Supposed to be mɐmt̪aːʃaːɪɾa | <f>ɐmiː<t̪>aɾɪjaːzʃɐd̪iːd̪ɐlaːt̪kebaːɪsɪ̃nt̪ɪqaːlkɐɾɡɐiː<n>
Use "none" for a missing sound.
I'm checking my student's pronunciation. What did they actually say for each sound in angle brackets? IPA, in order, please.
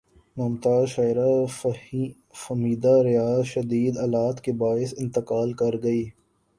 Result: f, d̪, none

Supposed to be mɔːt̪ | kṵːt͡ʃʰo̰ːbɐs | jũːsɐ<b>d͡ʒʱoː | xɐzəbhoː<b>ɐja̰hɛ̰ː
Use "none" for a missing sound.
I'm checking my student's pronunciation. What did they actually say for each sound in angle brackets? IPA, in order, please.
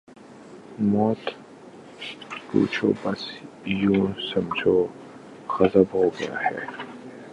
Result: m, ɡ

